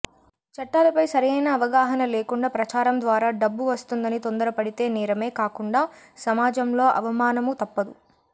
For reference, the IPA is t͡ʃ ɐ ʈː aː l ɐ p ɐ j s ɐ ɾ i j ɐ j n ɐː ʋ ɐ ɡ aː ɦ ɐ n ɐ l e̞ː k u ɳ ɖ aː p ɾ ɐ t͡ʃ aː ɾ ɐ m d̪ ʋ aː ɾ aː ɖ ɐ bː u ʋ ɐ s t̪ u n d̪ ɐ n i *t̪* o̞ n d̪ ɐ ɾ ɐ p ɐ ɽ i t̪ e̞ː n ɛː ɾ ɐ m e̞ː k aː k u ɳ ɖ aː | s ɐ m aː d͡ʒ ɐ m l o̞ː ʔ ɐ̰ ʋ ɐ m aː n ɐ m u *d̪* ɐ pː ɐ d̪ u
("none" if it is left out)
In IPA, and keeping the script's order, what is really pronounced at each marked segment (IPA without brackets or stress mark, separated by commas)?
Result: t̪, t̪